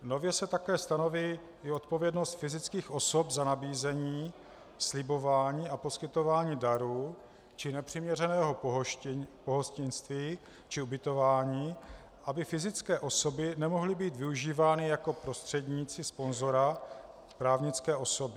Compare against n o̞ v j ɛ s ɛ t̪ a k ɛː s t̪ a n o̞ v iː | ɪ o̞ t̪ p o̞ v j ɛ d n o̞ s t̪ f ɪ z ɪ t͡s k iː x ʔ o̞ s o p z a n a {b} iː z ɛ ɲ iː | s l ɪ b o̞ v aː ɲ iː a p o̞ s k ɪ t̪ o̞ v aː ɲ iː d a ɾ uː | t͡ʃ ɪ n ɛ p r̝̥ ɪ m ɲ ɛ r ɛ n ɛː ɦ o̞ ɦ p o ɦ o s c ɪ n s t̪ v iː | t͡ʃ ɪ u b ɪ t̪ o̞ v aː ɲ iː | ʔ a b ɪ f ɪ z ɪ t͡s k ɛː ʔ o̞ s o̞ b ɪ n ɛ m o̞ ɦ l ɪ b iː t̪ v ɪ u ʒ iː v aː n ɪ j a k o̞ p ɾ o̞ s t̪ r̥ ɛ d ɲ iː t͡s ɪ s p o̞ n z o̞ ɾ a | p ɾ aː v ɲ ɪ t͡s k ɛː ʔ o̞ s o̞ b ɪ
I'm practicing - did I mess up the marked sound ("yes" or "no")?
no